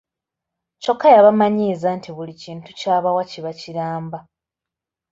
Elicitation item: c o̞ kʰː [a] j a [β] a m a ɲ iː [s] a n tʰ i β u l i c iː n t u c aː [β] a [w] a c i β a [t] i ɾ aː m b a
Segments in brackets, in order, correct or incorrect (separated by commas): correct, correct, incorrect, correct, correct, incorrect